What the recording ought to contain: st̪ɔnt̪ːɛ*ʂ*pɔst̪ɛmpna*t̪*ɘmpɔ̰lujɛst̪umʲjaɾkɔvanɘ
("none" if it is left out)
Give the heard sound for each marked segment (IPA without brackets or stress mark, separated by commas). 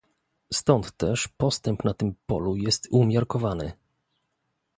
ʂ, t̪